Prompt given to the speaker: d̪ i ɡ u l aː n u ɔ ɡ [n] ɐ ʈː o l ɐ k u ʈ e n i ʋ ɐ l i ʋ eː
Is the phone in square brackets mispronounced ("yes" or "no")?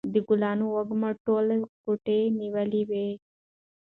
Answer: yes